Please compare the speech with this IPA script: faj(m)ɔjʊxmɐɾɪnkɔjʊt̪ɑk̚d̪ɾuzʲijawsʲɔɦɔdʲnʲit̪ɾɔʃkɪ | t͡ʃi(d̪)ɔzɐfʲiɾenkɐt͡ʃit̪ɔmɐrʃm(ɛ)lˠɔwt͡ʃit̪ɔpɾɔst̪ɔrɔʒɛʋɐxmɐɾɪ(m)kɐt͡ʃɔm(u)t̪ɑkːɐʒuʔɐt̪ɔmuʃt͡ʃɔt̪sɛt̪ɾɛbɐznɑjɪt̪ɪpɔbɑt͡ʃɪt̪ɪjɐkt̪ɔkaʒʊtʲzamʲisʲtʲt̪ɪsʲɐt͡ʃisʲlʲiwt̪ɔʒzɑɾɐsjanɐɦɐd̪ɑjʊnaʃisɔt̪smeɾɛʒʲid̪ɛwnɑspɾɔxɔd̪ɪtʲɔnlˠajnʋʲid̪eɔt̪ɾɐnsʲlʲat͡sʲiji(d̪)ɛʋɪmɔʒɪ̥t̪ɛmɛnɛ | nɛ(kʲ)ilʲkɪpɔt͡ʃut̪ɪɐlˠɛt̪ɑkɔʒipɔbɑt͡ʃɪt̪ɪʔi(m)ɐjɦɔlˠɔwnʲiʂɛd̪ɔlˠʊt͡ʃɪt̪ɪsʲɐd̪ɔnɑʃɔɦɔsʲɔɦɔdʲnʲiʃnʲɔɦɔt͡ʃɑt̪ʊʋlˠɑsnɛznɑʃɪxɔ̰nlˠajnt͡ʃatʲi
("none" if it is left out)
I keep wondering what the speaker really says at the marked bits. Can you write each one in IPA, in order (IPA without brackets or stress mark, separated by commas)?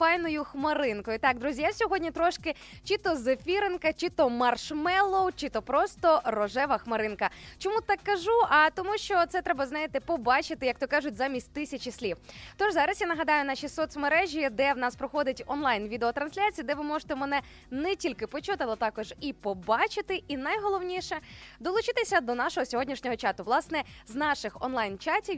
n, t̪, ɛ, n, u, d̪, tʲ, n